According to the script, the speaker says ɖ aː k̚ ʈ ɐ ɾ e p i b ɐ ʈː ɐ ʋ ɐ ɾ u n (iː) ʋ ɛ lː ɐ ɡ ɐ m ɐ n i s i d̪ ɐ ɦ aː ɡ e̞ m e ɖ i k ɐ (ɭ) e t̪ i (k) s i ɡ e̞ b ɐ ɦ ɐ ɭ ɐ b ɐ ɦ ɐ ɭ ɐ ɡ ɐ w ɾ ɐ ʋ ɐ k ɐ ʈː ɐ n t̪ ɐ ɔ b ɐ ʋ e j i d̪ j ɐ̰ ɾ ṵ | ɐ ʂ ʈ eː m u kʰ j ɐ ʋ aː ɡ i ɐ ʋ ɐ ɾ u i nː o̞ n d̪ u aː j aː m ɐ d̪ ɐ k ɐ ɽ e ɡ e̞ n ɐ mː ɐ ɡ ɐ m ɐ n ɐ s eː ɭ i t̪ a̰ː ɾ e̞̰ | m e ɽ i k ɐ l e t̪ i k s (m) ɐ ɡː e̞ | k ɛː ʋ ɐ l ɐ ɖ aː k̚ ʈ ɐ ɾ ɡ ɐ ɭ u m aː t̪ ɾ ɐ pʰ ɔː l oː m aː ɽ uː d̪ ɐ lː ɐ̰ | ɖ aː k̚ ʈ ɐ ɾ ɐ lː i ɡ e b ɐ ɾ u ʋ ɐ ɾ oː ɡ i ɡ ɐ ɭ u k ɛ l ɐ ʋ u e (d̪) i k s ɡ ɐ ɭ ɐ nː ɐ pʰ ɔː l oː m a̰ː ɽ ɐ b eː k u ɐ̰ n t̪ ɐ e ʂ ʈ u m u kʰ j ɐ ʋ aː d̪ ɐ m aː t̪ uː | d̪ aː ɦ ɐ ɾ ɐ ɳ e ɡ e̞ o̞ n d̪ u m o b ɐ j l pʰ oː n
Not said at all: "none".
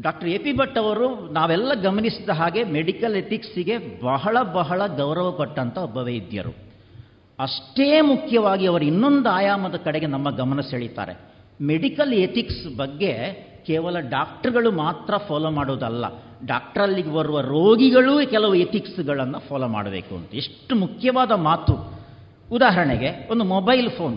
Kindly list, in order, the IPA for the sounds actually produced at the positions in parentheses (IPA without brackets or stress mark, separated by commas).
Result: aː, l, k, b, t̪